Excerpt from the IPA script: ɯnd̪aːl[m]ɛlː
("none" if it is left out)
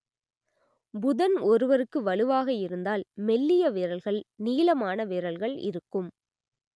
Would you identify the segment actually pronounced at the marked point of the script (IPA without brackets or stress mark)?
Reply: m